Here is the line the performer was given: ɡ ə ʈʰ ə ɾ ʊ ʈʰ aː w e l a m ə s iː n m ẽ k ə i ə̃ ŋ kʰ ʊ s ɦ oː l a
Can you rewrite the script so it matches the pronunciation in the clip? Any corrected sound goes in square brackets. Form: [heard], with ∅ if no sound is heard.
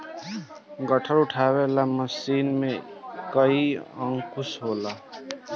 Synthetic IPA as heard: ɡ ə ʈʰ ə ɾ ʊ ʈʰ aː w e l a m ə s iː n m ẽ k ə i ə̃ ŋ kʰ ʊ s ɦ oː l a